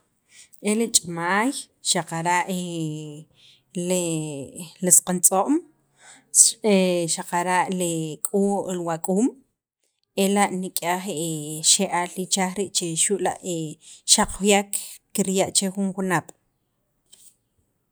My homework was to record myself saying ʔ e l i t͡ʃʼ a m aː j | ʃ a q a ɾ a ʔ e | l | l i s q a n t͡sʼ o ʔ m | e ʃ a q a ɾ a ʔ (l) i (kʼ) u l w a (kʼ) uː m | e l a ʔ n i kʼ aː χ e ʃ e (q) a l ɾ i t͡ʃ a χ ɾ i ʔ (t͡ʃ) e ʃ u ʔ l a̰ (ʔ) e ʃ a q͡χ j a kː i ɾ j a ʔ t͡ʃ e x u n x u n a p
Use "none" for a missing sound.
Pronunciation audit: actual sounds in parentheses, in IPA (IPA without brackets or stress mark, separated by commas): l, kʼ, kʼ, ʔ, t͡ʃ, ʔ